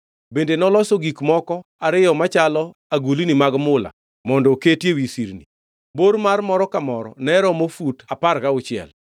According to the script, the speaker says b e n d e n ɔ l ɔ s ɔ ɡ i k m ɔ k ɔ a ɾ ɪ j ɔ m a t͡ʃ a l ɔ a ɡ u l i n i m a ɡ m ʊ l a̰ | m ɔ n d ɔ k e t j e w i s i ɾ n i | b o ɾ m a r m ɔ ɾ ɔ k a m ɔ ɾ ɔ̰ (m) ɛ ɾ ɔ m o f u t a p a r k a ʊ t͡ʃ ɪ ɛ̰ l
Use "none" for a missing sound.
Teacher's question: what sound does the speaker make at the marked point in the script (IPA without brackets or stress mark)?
n